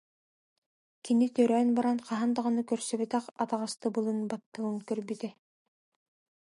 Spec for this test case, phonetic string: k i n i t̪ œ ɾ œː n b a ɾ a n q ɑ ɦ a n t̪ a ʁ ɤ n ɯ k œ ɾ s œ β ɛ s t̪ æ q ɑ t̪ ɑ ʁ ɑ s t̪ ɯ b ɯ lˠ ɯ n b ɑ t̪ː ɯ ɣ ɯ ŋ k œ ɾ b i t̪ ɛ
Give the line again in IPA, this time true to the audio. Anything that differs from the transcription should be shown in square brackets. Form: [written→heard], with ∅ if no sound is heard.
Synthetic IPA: k i n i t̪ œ ɾ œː n b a ɾ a n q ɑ ɦ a n [t̪→d̪] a ʁ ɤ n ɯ k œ ɾ s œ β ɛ [s→∅] t̪ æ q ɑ t̪ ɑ ʁ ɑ s t̪ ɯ b ɯ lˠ ɯ n b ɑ t̪ː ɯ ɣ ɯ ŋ k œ ɾ b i t̪ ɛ